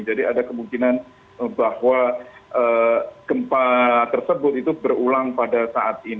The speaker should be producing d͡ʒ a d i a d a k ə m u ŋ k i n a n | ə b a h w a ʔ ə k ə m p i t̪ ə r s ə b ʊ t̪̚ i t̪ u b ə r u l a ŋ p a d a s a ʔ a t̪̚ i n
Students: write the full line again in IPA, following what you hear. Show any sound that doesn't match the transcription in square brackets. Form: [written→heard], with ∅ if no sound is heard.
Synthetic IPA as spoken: d͡ʒ a d i a d a k ə m u ŋ k i n a n | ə b a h w a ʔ ə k ə m p [i→a] t̪ ə r s ə b ʊ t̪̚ i t̪ u b ə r u l a ŋ p a d a s a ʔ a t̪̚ i n